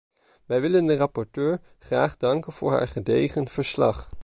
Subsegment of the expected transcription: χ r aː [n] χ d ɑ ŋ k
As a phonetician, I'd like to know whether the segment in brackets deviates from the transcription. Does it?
yes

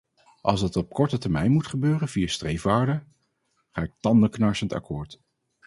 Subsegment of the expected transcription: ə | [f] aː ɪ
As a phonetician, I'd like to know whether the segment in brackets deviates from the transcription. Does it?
yes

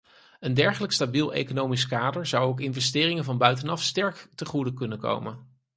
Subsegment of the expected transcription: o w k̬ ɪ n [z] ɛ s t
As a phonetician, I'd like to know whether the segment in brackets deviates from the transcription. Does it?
yes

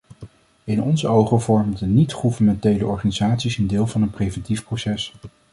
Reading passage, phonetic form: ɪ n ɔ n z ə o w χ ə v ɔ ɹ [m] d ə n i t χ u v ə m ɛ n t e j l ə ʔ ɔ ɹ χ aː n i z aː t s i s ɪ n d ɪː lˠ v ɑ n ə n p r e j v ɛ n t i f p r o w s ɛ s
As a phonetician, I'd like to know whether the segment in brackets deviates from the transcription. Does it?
no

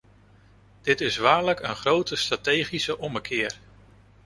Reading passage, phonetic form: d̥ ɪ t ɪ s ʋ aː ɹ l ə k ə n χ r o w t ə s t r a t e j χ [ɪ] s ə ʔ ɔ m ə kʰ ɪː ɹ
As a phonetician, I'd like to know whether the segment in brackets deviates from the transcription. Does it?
yes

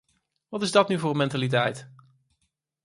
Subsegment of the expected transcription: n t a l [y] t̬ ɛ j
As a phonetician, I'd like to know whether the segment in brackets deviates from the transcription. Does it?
yes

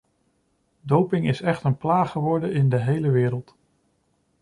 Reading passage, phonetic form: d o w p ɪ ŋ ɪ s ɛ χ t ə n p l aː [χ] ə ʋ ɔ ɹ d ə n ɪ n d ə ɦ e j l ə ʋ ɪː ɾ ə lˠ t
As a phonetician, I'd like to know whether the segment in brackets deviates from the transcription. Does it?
no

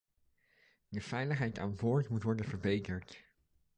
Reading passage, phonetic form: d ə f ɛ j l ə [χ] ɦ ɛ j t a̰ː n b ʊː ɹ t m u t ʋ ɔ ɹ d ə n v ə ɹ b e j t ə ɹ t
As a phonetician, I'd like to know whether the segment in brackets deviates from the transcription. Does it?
no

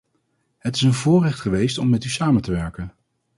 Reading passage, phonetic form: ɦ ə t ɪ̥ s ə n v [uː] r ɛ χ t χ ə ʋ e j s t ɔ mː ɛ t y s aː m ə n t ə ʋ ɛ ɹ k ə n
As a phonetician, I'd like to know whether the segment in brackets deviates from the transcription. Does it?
yes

